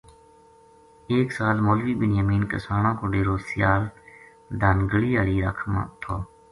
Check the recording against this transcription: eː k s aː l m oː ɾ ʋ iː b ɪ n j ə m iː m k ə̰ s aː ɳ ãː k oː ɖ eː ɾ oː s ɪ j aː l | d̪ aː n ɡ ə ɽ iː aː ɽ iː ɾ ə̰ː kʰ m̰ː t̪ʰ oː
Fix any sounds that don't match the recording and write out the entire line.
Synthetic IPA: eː k s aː l m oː l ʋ iː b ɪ n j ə m iː n k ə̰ s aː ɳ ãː k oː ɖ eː ɾ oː s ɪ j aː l | d̪ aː n ɡ ə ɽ iː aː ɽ iː ɾ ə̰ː kʰ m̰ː t̪ʰ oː